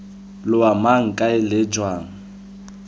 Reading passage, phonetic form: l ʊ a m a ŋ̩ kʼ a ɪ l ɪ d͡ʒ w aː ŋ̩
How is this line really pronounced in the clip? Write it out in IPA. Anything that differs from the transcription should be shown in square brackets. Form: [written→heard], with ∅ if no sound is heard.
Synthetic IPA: l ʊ a m a ŋ̩ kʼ a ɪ l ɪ d͡ʒ w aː ŋ̩